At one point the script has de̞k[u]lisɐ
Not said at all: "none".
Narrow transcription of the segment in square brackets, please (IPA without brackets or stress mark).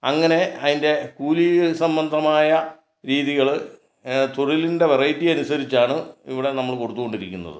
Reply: uː